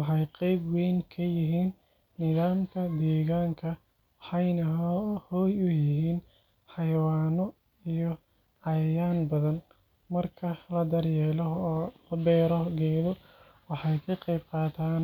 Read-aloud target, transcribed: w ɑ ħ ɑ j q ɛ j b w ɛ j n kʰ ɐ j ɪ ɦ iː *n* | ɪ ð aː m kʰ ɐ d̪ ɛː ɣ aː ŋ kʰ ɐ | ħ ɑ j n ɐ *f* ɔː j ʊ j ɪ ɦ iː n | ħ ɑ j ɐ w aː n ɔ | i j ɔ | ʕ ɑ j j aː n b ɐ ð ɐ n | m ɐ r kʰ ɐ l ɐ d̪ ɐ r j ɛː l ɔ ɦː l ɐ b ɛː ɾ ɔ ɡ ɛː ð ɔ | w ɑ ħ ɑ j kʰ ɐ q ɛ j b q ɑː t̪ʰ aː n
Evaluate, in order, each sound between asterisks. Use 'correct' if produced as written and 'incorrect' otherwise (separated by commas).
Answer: incorrect, incorrect